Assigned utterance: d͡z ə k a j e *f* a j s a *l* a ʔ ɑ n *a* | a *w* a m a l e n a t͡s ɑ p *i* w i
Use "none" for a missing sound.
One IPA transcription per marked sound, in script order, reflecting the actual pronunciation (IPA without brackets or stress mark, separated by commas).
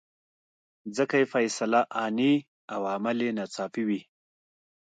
f, l, i, w, i